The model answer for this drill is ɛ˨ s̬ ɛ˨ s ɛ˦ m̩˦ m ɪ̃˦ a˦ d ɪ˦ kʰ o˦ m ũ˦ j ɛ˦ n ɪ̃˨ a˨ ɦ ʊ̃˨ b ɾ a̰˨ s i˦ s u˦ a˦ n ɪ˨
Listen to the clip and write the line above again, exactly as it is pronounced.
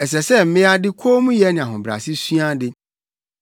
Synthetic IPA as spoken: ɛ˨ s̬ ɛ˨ s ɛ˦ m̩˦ m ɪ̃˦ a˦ d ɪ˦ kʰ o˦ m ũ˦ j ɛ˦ n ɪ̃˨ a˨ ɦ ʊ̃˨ b ɾ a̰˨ s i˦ s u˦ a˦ d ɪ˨